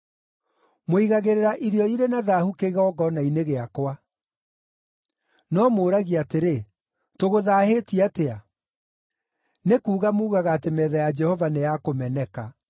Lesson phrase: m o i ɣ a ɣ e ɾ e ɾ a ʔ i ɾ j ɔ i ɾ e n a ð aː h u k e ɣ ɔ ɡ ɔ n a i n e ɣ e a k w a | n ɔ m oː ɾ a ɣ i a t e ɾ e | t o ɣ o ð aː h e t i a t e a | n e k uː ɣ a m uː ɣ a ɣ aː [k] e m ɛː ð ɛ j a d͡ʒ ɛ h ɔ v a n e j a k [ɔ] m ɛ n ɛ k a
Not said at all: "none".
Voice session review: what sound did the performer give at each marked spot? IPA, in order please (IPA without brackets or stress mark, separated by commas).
t, o